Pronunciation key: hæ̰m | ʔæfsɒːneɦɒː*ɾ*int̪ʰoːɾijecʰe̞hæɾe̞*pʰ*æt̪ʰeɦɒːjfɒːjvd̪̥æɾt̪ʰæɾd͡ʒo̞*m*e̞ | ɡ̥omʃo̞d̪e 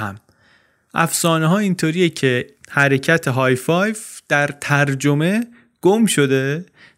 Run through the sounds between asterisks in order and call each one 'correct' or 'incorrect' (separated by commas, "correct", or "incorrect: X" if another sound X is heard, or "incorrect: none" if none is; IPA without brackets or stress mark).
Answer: incorrect: none, incorrect: cʰ, correct